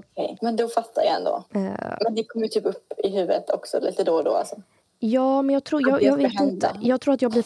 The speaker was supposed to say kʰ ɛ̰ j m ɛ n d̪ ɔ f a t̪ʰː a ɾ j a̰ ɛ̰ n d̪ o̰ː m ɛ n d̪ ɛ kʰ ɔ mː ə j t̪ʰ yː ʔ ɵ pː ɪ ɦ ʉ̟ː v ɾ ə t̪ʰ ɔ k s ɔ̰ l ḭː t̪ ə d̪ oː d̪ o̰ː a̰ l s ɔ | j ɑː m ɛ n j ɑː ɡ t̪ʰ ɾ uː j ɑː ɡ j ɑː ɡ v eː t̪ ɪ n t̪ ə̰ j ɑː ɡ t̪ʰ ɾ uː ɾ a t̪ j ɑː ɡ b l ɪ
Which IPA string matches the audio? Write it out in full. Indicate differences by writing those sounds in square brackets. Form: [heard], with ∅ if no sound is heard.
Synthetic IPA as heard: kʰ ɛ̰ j m ɛ n d̪ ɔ f a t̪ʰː a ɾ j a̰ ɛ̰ n d̪ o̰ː m ɛ n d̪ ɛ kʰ ɔ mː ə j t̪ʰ yː [p] ɵ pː ɪ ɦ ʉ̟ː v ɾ ə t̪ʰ ɔ k s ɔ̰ l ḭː t̪ ə d̪ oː d̪ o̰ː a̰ l s ɔ | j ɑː m ɛ n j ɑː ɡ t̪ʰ ɾ uː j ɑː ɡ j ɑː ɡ v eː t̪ ɪ n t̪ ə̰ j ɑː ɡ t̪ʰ ɾ uː ɾ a t̪ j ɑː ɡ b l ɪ